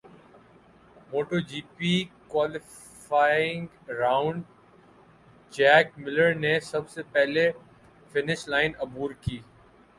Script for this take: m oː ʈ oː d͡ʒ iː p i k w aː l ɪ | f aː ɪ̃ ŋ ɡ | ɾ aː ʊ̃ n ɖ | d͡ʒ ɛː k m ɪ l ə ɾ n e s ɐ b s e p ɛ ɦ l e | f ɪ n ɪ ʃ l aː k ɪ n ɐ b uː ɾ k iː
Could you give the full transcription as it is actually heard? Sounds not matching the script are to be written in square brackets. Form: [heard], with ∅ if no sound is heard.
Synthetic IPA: m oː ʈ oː d͡ʒ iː p i k w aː l ɪ | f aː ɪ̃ ŋ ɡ | ɾ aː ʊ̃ [ɳ] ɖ | d͡ʒ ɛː k m ɪ l ə ɾ n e s ɐ b s e p ɛ ɦ l e | f ɪ n ɪ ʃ l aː [∅] ɪ n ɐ b uː ɾ k iː

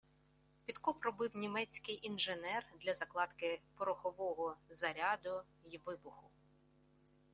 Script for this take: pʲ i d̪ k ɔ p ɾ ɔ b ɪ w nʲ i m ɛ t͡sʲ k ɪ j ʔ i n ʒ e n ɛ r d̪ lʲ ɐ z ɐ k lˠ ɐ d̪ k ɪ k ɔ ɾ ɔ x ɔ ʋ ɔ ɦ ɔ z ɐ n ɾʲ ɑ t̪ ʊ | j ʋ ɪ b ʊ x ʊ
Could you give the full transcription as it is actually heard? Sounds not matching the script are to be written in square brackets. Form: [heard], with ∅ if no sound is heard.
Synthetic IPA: pʲ i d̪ k ɔ p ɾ ɔ b ɪ w nʲ i m ɛ t͡sʲ k ɪ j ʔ i n ʒ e n ɛ r d̪ lʲ ɐ z ɐ k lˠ [ɑ] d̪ k ɪ [p] ɔ ɾ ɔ x ɔ ʋ ɔ ɦ ɔ z ɐ [∅] ɾʲ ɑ [d̪] ʊ | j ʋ ɪ b ʊ x ʊ

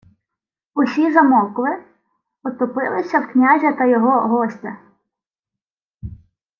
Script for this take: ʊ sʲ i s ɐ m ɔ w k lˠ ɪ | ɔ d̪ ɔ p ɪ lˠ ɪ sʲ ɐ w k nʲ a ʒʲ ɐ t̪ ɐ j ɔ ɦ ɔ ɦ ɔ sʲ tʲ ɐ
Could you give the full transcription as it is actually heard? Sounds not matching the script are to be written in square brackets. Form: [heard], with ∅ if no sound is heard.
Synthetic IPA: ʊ sʲ i [z] ɐ m ɔ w k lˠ ɪ | ɔ [t̪] ɔ p ɪ lˠ ɪ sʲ ɐ w k nʲ a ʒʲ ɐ t̪ ɐ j ɔ ɦ ɔ ɦ ɔ sʲ tʲ ɐ

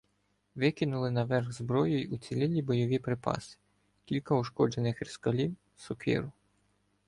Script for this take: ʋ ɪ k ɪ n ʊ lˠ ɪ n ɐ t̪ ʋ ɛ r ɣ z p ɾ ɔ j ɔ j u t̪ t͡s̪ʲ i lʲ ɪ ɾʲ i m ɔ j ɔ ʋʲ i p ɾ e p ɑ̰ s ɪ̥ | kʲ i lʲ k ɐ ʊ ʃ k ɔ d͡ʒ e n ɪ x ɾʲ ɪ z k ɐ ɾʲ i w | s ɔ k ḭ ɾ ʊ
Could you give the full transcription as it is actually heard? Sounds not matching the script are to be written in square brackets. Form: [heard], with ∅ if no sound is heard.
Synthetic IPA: ʋ ɪ k ɪ n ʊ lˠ ɪ n ɐ [∅] ʋ ɛ r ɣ z [b] ɾ ɔ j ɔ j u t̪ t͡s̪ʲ i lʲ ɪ [lʲ] i [b] ɔ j ɔ ʋʲ i p ɾ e p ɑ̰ s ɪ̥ | kʲ i lʲ k ɐ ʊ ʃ k ɔ d͡ʒ e n ɪ x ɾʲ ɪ [s] k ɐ [lʲ] i w | s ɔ k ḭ ɾ ʊ

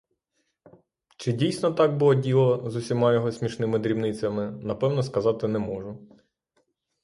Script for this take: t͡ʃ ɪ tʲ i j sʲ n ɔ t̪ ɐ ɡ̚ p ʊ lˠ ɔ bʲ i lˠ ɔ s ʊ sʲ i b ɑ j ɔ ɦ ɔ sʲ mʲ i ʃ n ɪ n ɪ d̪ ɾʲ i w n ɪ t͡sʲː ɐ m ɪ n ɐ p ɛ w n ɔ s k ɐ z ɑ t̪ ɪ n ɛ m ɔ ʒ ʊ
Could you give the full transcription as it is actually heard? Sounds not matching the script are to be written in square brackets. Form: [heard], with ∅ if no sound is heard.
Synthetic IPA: t͡ʃ ɪ [dʲ] i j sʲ n ɔ t̪ [ɑ] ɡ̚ [b] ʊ lˠ ɔ [dʲ] i lˠ ɔ [z] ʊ sʲ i [m] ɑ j ɔ ɦ ɔ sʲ mʲ i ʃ n ɪ [m] ɪ d̪ ɾʲ i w n ɪ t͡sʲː ɐ m ɪ n ɐ p ɛ w n ɔ s k ɐ z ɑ t̪ ɪ n ɛ m ɔ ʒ ʊ

